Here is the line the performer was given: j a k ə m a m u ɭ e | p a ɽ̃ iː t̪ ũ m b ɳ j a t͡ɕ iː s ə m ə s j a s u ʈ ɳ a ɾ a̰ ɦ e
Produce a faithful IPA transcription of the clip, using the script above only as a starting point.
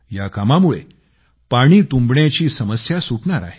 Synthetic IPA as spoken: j a k a m a m u ɭ e | p a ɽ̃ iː t̪ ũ m b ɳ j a t͡ɕ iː s ə m ə s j a s u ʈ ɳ a ɾ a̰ ɦ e